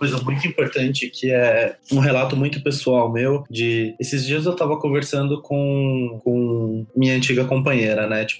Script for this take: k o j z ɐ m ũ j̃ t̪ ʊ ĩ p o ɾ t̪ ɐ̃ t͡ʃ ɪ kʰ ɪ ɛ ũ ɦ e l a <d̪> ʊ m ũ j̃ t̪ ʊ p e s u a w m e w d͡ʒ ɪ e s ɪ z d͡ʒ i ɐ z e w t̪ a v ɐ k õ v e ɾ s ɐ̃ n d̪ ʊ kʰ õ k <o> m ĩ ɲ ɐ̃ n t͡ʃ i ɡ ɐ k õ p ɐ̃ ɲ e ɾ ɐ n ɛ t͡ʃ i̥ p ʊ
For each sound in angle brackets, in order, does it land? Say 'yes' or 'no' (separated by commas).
no, no